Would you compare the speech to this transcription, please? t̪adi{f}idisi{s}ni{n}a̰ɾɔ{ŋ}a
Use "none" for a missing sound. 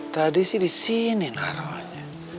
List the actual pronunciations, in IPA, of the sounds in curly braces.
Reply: s, none, n, ɲ

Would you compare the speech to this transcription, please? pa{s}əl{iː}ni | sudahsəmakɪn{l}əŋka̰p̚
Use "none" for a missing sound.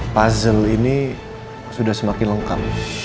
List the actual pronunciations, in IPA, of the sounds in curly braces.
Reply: z, i, l

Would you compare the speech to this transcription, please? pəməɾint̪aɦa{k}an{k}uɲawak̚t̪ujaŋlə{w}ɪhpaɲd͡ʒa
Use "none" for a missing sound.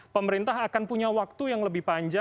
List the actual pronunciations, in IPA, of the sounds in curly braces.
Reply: k, p, b

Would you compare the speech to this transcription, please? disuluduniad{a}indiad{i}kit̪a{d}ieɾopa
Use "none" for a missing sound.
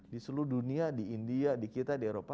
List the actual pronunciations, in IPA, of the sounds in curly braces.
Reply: i, i, d

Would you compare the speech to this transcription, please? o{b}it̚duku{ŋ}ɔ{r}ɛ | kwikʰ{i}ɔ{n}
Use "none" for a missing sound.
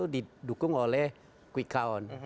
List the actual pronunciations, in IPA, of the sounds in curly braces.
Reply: d, ŋ, l, a, n

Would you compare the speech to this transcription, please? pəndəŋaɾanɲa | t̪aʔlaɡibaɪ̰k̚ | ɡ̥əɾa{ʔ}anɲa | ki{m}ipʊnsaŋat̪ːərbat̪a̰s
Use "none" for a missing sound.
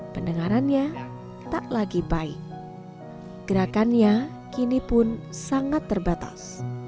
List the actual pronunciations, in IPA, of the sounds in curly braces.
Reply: k, n

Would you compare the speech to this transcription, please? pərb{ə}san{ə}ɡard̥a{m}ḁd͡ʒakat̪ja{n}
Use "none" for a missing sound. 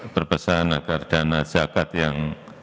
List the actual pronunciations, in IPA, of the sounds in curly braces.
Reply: ə, a, n, ŋ

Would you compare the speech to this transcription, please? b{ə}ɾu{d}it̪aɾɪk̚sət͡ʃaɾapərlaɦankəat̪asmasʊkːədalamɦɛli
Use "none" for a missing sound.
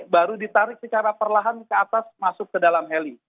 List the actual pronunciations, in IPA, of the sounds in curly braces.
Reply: a, d

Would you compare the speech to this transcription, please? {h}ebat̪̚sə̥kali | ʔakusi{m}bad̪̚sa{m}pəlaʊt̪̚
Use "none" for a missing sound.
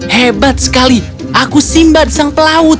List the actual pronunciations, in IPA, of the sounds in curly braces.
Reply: h, m, ŋ

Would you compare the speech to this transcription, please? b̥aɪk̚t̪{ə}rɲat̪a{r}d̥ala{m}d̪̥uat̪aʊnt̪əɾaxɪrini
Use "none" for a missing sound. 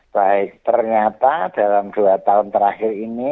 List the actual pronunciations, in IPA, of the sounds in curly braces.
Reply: ə, none, m

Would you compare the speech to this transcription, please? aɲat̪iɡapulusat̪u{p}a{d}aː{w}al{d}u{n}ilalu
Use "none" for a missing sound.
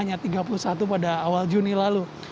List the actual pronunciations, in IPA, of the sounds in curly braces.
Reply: p, d, w, d͡ʒ, n

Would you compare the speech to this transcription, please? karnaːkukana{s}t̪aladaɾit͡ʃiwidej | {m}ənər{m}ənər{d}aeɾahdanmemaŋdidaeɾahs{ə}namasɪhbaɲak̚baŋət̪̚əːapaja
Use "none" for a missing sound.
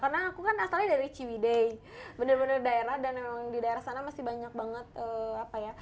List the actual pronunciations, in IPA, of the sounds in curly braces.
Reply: s, b, b, d, a

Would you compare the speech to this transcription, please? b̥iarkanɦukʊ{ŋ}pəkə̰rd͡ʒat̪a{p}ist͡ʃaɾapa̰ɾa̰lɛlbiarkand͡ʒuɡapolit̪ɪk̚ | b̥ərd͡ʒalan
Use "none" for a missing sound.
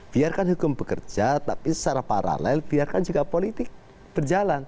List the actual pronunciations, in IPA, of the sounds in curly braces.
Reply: m, p

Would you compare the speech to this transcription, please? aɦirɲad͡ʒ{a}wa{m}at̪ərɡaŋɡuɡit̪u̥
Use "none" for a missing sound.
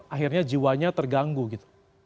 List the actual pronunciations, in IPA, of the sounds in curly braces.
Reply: i, ɲ

